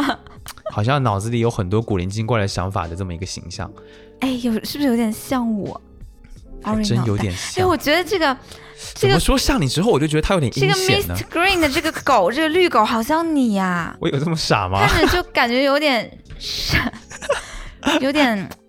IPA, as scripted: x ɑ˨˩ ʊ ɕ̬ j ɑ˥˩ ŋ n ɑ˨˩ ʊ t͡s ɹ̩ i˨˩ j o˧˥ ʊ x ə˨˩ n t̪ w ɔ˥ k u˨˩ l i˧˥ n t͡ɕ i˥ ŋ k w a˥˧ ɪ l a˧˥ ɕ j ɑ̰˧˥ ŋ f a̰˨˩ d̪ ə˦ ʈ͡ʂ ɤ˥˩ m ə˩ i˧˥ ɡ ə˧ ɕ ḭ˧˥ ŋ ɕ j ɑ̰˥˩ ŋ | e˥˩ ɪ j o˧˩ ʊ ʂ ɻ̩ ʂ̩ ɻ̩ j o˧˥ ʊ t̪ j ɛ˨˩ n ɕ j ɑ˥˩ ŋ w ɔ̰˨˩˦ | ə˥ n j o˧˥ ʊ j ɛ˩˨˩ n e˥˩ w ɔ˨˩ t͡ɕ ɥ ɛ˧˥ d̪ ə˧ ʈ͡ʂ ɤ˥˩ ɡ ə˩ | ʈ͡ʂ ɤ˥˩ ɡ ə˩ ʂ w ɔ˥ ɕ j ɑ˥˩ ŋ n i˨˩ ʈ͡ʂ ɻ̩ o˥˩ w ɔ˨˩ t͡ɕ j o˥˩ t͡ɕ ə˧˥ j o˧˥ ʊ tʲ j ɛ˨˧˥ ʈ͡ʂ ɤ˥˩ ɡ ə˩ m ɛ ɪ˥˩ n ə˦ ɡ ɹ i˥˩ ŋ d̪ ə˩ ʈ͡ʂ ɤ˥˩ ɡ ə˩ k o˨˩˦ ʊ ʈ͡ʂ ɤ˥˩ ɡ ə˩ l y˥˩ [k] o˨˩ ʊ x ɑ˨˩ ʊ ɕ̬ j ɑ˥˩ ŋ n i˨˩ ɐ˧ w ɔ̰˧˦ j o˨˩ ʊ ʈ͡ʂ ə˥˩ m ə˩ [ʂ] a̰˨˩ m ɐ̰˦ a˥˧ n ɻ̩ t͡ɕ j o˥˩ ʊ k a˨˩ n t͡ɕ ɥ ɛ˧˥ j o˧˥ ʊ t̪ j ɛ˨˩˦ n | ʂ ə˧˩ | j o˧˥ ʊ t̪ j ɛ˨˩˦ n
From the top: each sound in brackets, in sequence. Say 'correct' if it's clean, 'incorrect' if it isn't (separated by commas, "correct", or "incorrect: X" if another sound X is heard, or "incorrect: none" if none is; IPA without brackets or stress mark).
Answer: correct, correct